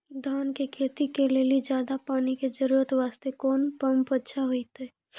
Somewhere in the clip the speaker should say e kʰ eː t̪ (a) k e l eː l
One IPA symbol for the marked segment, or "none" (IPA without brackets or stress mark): i